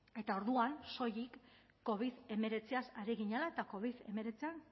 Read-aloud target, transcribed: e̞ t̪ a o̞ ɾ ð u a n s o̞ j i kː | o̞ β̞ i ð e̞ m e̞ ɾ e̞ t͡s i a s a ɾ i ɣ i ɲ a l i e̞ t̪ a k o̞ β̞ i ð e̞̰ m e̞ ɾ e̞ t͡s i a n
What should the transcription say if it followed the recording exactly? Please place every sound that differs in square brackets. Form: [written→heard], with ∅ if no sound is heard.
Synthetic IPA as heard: e̞ t̪ a o̞ ɾ ð u a n s o̞ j i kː | o̞ β̞ i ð e̞ m e̞ ɾ e̞ t͡s i a s a ɾ i ɣ i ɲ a l [i→a] e̞ t̪ a k o̞ β̞ i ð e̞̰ m e̞ ɾ e̞ t͡s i a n